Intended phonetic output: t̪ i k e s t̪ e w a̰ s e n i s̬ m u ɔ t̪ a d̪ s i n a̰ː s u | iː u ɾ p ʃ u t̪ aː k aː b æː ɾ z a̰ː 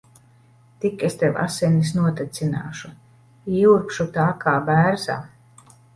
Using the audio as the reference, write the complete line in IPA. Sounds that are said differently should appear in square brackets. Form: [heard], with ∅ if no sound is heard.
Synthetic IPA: t̪ i k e s t̪ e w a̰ s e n i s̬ [n] u ɔ t̪ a [t̪] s i n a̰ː [ʃ] u | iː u ɾ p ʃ u t̪ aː k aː b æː ɾ z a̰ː